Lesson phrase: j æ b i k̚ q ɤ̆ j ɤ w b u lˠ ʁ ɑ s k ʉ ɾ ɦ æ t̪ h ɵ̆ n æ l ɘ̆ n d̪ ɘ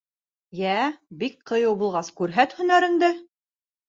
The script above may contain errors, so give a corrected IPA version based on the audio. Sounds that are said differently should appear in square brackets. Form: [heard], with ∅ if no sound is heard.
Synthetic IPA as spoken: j æ b i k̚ q ɤ̆ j ɤ w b u lˠ ʁ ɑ s k ʉ ɾ ɦ æ t̪ h ɵ̆ n æ [ɾ] ɘ̆ n d̪ ɘ